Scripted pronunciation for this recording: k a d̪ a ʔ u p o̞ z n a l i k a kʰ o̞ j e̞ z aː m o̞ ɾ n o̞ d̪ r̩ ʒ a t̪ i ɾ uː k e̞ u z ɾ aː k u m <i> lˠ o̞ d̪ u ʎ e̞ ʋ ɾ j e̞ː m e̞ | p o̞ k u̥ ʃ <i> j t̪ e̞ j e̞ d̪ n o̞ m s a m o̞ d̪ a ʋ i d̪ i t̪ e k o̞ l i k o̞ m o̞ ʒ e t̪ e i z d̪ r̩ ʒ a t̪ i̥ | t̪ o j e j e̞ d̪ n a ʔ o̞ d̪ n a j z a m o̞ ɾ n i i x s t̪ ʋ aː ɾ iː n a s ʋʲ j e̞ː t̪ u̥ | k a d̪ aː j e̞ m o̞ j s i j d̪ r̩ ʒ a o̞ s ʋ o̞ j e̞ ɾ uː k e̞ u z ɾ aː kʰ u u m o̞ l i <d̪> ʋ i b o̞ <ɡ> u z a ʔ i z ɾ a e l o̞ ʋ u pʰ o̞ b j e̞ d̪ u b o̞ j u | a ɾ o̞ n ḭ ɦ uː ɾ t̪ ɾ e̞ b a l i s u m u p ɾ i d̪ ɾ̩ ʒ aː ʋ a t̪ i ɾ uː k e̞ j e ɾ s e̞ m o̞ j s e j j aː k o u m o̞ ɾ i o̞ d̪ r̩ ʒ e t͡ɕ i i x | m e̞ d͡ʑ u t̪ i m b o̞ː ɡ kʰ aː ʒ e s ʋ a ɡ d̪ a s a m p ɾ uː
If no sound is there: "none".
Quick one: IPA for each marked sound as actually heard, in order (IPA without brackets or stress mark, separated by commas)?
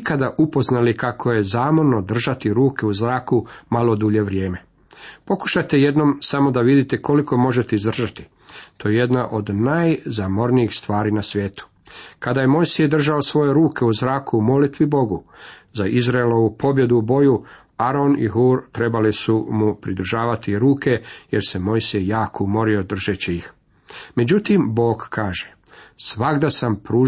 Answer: a, a, t̪, ɡ